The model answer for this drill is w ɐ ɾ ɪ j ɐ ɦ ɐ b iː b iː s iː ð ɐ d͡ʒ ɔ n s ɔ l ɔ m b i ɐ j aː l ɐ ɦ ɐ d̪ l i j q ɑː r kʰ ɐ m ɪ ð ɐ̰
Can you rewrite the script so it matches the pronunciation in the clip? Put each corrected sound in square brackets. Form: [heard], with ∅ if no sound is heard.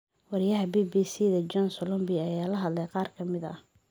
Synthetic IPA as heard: w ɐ ɾ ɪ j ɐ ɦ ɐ b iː b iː s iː ð ɐ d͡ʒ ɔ n s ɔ l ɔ m b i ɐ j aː l ɐ ɦ ɐ d̪ l [ɛ] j q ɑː r kʰ ɐ m ɪ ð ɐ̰